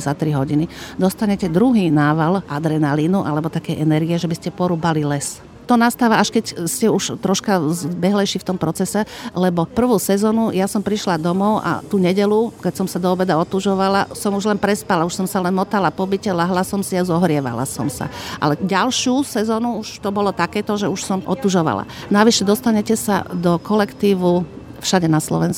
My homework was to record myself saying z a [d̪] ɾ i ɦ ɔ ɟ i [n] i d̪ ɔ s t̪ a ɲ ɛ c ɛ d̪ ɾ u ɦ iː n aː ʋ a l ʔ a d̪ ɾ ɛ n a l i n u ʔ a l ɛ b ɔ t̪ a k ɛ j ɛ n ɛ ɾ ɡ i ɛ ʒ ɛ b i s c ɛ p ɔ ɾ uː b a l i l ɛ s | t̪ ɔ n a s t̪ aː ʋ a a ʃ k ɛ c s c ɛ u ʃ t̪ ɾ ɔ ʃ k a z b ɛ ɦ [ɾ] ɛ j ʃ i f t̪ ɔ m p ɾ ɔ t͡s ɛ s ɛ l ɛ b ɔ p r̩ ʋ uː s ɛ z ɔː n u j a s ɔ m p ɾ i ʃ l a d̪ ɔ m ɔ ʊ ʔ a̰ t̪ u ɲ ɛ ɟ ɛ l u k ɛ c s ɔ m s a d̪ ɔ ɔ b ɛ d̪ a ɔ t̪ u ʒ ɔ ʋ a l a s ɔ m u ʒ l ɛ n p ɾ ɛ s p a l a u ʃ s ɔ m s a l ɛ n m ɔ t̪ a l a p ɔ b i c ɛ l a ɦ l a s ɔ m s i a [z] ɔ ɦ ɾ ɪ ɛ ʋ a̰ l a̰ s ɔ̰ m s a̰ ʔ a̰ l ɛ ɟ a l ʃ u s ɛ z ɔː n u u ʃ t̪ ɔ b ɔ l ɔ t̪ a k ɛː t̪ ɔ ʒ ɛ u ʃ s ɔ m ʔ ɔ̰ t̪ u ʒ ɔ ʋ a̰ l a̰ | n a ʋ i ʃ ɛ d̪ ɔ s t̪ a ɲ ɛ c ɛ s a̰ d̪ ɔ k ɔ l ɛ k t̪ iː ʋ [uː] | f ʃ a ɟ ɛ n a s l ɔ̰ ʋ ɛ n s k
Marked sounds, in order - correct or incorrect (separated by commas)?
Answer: incorrect, correct, incorrect, correct, incorrect